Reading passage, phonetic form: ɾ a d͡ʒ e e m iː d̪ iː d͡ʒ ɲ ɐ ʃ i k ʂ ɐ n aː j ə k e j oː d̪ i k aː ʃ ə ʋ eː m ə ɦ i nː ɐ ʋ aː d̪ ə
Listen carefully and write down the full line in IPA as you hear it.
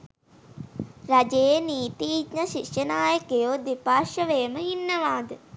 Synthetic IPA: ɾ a d͡ʒ e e n iː t̪ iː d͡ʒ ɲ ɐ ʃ i k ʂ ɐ n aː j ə k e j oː d̪ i p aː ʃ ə ʋ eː m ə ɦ i nː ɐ ʋ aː d̪ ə